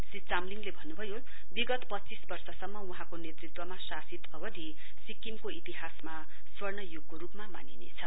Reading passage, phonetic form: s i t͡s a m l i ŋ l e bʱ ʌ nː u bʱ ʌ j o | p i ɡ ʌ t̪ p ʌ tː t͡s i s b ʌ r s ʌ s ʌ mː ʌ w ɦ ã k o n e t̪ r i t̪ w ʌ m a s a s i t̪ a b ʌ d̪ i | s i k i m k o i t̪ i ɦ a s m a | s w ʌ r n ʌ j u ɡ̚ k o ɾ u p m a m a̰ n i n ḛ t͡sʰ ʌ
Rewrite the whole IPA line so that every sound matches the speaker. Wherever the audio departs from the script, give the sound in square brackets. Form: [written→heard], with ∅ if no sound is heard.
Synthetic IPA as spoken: s i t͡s a m l i ŋ l e bʱ ʌ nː u bʱ ʌ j o | [p→b] i ɡ ʌ t̪ p ʌ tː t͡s i s b ʌ r s ʌ s ʌ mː ʌ [w→u] ɦ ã k o n e t̪ r i t̪ w ʌ m a s a s i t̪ [a→ʌ] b ʌ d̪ i | s i k i m k o i t̪ i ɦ a s m a | s w ʌ r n ʌ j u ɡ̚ k o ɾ u p m a m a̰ n i n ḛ t͡sʰ ʌ